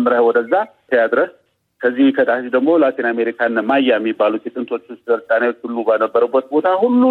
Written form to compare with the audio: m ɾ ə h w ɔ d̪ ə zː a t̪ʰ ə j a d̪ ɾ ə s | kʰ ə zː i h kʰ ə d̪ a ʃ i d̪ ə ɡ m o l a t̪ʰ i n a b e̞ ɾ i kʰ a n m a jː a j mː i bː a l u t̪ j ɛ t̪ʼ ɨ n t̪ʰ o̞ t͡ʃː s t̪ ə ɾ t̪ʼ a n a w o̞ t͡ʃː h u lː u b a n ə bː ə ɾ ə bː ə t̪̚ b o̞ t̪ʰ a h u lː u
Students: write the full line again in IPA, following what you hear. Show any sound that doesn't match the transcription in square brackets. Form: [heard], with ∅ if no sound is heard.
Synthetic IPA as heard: m ɾ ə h w ɔ d̪ ə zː a t̪ʰ ə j a d̪ ɾ ə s | kʰ ə zː i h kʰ ə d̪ a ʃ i d̪ ə ɡ m o l a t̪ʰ i n a [m] e̞ ɾ i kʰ a n m a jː a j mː i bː a l u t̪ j ɛ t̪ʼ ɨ n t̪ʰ o̞ t͡ʃː s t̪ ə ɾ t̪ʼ a n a w o̞ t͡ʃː h u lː u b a n ə bː ə ɾ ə bː ə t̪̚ b o̞ t̪ʰ a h u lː u